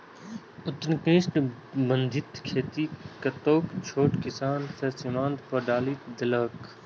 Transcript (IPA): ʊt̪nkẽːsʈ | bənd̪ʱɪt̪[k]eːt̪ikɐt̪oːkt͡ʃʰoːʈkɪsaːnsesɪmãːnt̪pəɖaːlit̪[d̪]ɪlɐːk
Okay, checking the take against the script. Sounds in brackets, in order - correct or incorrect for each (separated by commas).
incorrect, correct